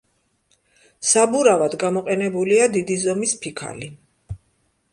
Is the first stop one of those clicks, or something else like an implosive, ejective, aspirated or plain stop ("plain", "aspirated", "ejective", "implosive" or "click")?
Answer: plain